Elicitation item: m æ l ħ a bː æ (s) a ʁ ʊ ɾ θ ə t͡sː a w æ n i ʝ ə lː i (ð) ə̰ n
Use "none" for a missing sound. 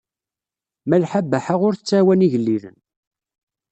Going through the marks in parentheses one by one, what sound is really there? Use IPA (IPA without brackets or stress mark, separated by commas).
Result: ħ, ð